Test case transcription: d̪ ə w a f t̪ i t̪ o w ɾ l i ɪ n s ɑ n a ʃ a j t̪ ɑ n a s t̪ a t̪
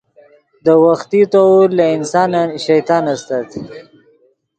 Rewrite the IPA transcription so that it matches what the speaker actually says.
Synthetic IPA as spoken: d̪ ə w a x t̪ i t̪ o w ɾ l a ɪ n s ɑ n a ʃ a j t̪ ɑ n a s t̪ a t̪